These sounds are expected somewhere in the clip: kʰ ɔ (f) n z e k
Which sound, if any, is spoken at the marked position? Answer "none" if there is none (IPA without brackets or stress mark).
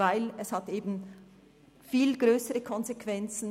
none